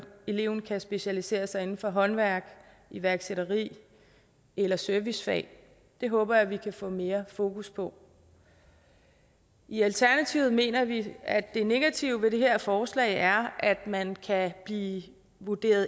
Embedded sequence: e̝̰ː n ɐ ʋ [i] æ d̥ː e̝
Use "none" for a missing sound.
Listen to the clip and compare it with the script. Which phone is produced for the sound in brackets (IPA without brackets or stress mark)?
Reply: i